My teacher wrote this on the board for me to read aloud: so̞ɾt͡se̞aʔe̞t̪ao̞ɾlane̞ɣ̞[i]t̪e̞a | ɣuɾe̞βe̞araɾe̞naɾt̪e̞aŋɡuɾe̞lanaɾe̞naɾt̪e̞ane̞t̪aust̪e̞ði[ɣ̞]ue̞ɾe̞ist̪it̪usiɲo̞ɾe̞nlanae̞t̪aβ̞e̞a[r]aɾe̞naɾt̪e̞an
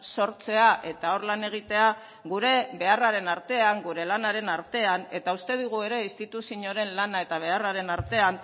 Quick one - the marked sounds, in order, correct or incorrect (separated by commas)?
correct, correct, correct